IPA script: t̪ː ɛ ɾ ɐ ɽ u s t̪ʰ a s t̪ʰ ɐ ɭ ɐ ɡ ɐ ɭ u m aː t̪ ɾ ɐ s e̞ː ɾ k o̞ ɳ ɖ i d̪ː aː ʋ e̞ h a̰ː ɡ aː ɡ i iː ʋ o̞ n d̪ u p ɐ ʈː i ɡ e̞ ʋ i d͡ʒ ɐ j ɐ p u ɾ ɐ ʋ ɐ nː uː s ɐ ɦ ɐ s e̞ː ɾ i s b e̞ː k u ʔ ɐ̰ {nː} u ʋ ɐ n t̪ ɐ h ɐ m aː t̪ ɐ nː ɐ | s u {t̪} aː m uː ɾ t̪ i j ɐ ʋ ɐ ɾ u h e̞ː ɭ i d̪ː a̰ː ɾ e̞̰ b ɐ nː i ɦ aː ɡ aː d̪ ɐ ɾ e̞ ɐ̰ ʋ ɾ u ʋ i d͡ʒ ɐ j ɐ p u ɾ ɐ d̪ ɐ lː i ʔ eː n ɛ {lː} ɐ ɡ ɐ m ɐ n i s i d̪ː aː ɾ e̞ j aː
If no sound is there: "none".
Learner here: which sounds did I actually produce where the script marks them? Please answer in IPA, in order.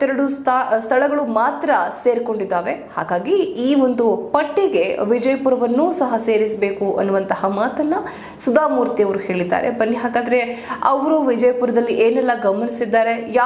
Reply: nː, d̪, lː

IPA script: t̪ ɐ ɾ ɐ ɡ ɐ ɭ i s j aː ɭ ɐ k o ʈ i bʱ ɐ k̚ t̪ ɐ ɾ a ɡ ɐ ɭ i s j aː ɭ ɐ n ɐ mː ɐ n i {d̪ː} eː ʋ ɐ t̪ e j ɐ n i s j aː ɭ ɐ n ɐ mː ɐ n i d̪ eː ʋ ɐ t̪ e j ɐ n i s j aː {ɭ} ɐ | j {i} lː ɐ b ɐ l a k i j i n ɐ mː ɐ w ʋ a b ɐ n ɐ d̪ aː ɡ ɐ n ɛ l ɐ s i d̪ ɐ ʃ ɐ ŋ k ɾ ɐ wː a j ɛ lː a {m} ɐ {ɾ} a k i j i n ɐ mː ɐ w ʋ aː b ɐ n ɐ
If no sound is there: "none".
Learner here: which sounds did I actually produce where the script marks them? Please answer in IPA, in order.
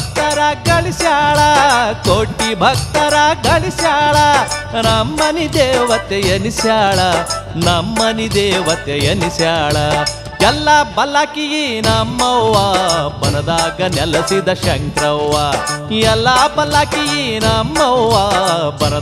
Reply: d̪, ɭ, ɛ, b, l

